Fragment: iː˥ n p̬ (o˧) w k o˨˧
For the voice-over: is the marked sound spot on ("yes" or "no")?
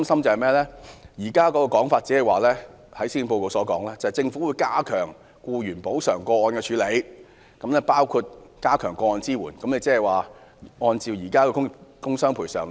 yes